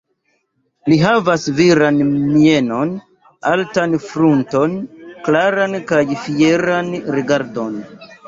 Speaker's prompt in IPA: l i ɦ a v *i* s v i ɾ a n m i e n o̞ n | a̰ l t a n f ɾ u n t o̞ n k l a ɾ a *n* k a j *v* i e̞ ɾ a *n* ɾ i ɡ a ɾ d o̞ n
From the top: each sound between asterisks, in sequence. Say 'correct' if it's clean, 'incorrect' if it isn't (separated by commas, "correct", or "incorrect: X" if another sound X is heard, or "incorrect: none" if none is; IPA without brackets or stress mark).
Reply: incorrect: a, correct, incorrect: f, correct